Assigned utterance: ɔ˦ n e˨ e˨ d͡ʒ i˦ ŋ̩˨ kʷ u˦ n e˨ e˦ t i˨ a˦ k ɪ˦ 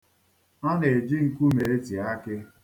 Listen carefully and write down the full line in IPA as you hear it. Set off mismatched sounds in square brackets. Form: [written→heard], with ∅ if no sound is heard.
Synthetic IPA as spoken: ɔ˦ n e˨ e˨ d͡ʒ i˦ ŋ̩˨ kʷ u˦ [n→m] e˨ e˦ t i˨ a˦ k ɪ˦